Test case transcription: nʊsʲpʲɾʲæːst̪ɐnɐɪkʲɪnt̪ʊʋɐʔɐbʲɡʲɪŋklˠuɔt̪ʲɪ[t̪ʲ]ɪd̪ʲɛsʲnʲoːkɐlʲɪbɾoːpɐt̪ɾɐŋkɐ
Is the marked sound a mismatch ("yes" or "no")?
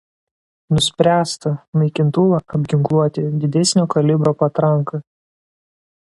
yes